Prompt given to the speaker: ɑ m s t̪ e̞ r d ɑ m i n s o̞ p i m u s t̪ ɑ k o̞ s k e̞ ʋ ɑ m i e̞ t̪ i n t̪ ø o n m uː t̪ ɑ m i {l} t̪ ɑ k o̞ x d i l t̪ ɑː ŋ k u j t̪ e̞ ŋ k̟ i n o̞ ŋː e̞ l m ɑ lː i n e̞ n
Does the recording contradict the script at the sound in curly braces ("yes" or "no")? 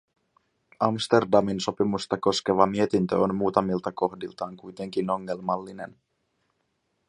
no